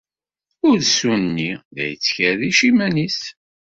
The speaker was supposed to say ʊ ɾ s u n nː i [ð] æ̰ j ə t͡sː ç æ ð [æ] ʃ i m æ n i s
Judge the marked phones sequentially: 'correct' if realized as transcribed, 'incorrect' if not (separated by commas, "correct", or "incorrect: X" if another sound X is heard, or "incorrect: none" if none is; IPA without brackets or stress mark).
correct, incorrect: i